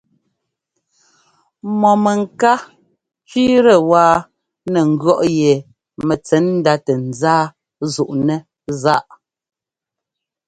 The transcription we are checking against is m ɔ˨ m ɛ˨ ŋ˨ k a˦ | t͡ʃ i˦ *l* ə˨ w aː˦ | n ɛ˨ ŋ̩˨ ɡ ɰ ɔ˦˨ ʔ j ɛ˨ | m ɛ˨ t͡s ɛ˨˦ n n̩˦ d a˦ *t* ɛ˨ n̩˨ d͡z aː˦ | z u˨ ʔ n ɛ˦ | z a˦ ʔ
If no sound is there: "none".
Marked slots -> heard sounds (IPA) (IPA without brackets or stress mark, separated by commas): ɾ, t